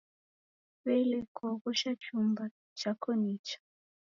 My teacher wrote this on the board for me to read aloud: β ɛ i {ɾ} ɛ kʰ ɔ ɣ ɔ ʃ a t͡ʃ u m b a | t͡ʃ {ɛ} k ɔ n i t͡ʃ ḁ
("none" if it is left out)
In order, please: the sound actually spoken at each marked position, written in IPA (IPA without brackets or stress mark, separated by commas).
l, a